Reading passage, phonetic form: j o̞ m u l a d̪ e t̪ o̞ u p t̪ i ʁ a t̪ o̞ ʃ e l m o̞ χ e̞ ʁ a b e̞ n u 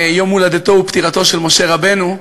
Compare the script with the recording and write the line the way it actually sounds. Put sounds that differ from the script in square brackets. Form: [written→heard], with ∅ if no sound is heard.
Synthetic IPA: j o̞ m u l a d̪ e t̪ o̞ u p t̪ i ʁ a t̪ o̞ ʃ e l m o̞ [χ→ʃ] e̞ ʁ a b e̞ n u